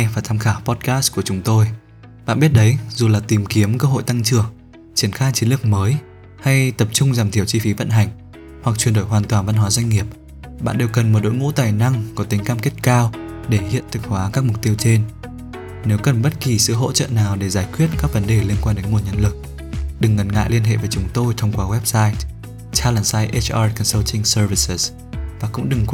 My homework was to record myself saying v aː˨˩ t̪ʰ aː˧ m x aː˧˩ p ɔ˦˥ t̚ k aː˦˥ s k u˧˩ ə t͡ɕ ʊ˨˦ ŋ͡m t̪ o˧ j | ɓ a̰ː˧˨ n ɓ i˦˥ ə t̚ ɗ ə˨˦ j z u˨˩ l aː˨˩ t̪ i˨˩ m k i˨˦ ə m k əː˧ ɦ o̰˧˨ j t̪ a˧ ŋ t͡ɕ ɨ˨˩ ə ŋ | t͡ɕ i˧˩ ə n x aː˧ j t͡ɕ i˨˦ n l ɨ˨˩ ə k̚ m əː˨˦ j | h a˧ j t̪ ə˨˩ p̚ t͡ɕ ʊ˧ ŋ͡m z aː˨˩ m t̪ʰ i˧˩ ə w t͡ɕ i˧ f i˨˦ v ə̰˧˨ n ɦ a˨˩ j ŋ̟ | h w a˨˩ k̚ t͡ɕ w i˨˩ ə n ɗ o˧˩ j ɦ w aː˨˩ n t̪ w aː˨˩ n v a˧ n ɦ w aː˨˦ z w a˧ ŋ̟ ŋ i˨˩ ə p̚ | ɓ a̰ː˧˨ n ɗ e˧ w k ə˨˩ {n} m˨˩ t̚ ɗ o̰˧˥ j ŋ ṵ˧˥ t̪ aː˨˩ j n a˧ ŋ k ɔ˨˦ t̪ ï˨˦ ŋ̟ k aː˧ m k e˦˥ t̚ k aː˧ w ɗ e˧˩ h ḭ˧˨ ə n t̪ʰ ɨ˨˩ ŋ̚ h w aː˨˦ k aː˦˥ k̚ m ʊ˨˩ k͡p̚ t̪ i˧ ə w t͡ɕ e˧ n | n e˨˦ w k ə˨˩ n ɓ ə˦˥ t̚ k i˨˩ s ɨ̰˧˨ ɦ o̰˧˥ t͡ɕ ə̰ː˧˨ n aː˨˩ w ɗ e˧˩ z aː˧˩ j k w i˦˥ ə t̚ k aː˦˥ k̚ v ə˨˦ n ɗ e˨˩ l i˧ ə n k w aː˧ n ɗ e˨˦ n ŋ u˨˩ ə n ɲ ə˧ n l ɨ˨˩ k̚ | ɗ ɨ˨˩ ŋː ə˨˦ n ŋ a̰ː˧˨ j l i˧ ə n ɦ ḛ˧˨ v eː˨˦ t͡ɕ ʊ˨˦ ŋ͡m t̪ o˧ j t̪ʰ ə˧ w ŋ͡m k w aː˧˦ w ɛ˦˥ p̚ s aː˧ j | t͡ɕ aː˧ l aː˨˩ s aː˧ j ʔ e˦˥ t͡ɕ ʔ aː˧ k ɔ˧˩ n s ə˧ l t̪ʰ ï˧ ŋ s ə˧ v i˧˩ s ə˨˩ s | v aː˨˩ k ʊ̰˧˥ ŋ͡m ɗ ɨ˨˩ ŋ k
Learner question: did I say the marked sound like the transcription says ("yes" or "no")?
yes